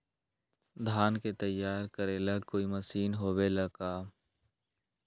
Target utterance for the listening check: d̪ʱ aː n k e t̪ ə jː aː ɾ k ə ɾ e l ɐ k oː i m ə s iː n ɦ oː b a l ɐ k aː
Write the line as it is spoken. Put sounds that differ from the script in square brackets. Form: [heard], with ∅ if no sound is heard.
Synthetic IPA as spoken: d̪ʱ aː n k e t̪ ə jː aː ɾ k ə ɾ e l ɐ k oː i m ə s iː n ɦ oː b [e] l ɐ k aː

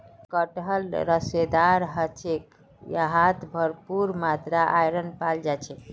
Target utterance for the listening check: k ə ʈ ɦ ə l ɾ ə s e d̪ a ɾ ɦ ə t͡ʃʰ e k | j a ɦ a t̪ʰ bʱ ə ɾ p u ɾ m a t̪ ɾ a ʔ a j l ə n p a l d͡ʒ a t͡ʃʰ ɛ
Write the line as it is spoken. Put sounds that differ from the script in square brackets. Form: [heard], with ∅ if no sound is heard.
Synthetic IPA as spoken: k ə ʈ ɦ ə l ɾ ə s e d̪ a ɾ ɦ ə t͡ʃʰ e k | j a ɦ a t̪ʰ bʱ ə ɾ p u ɾ m a t̪ ɾ a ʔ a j [ɾ] ə n p a l d͡ʒ a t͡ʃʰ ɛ

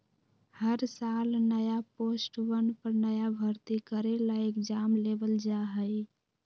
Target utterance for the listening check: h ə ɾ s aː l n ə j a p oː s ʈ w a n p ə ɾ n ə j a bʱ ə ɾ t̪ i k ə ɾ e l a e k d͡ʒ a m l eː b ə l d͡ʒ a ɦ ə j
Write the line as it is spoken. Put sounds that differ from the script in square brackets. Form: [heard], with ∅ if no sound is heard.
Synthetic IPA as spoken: h ə ɾ s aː l n ə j a p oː s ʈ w [ə] n p ə ɾ n ə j a bʱ ə ɾ t̪ i k ə ɾ e l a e k d͡ʒ a m l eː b ə l d͡ʒ a ɦ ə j

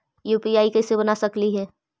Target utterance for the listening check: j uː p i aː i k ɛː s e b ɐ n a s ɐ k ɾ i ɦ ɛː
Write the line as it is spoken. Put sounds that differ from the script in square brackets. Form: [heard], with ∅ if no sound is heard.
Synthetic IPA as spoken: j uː p i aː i k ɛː s e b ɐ n a s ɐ k [l] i ɦ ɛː

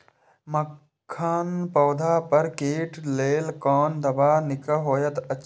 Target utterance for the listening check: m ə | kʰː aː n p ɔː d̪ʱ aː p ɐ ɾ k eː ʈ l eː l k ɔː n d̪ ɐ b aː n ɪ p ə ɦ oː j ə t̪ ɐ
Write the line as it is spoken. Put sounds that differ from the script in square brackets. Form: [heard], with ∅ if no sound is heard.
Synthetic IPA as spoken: m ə | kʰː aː n p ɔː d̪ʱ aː p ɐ ɾ k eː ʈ l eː l k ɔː n d̪ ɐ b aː n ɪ [k] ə ɦ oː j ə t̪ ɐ

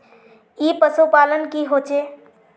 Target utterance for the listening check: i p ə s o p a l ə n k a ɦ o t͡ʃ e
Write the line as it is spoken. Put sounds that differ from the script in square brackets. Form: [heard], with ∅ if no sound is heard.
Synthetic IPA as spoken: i p ə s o p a l ə n k [i] ɦ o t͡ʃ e

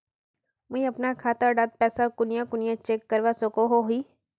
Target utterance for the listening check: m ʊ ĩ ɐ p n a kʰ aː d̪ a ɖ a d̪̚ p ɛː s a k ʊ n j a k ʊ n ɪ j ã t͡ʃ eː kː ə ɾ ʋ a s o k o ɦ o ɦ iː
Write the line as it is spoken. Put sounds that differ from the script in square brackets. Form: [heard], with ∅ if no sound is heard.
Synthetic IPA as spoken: m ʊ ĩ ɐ p n a kʰ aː [t̪] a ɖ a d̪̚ p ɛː s a k ʊ n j a k ʊ n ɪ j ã t͡ʃ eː kː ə ɾ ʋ a s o k o ɦ o ɦ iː

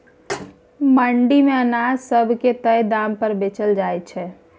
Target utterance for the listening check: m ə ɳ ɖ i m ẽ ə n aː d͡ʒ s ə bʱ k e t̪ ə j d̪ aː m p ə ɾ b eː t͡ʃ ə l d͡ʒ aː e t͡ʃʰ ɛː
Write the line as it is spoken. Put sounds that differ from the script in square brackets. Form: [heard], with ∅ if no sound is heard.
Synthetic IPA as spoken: m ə ɳ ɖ i m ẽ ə n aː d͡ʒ s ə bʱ k e t̪ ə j d̪ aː m p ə ɾ b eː t͡ʃ ə l d͡ʒ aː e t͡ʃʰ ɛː

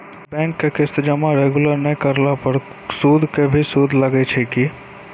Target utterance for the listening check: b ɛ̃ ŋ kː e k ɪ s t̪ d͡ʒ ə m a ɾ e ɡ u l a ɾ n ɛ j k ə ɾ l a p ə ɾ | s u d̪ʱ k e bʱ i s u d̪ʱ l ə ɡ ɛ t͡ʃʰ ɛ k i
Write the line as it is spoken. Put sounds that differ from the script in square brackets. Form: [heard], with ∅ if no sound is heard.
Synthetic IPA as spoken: b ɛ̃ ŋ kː e k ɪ s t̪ d͡ʒ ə m a ɾ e ɡ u l [ə] ɾ n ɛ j k ə ɾ l a p ə ɾ | s u d̪ʱ k e bʱ i s u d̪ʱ l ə ɡ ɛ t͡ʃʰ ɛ k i

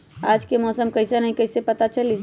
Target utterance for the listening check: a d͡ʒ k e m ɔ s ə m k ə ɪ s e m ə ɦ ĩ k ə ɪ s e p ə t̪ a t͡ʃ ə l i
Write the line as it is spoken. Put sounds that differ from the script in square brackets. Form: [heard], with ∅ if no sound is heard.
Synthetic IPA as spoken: a d͡ʒ k e m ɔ s ə m k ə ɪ s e [n] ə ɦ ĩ k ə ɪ s e p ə t̪ a t͡ʃ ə l i

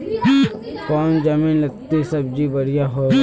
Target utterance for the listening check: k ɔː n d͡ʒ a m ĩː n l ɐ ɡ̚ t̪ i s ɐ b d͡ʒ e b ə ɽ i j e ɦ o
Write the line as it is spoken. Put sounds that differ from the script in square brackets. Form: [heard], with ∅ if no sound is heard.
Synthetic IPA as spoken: k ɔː n d͡ʒ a m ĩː n l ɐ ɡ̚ t̪ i s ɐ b d͡ʒ [i] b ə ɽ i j [a] ɦ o

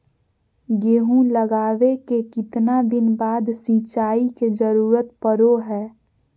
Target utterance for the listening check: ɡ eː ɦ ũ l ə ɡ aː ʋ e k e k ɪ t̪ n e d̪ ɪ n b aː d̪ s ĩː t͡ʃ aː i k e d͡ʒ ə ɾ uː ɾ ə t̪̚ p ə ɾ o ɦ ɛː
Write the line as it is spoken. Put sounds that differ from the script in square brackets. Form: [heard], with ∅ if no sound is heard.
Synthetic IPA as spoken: ɡ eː ɦ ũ l ə ɡ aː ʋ e k e k ɪ t̪ n [a] d̪ ɪ n b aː d̪ s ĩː t͡ʃ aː i k e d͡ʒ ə ɾ uː ɾ ə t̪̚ p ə ɾ o ɦ ɛː

